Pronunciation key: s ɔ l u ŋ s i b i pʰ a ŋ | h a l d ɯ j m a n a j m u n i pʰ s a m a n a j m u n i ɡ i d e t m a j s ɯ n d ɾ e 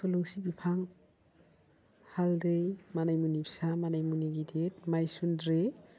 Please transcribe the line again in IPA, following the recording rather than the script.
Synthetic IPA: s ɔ l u ŋ s i b i pʰ a ŋ | h a l d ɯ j m a n a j m u n i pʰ s a m a n a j m u n i ɡ i d e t m a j s u n d ɾ e